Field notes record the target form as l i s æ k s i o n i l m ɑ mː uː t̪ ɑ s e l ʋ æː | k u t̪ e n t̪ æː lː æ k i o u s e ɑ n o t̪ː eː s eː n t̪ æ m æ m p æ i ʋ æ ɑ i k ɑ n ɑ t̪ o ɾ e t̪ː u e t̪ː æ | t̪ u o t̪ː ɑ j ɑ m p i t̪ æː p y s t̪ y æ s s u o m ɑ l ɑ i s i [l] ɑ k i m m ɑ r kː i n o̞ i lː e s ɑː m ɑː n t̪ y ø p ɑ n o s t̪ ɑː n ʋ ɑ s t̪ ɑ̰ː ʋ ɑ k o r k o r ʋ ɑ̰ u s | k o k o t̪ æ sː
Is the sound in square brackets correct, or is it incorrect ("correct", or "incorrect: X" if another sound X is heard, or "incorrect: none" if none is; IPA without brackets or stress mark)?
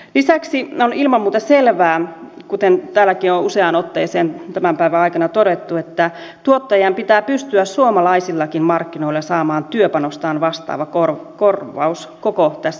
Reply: incorrect: lː